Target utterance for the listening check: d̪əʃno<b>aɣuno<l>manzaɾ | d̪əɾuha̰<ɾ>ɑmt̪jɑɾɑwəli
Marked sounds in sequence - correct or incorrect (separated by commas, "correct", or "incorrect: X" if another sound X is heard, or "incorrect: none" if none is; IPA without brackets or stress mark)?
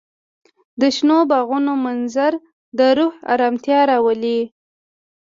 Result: correct, incorrect: none, correct